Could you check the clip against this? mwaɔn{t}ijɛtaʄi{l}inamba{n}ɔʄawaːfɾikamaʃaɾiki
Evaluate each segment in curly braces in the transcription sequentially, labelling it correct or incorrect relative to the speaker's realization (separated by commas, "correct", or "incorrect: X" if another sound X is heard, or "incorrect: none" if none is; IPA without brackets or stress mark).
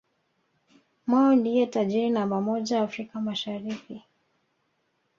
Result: incorrect: d, incorrect: ɾ, incorrect: m